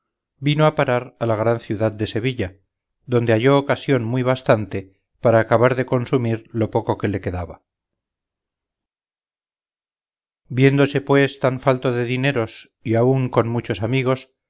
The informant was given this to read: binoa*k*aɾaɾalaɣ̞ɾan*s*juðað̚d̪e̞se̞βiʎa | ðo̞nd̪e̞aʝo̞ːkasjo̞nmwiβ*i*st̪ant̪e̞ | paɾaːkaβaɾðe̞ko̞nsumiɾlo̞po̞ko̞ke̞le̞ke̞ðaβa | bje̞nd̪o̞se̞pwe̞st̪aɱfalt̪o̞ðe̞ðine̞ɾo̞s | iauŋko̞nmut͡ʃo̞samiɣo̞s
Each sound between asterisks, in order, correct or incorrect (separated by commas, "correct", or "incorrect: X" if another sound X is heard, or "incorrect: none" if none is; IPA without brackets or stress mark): incorrect: p, incorrect: θ, incorrect: a